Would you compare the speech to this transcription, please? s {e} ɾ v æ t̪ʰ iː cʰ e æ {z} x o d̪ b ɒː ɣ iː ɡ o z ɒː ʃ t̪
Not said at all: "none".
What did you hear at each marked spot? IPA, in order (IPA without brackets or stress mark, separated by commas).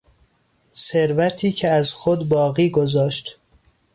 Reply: e, z